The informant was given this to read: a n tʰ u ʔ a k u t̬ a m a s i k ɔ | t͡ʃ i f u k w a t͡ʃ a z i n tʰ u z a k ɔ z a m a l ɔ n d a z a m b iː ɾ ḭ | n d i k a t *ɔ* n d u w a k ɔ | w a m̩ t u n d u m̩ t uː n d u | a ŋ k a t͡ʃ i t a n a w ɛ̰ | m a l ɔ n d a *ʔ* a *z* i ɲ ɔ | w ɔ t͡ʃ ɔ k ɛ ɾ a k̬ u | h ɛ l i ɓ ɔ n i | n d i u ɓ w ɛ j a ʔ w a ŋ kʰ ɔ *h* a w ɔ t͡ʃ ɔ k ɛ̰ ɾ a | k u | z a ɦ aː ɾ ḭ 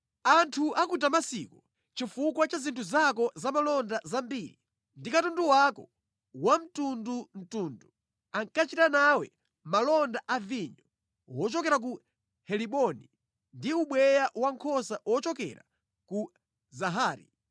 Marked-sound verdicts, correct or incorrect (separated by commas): incorrect, correct, incorrect, incorrect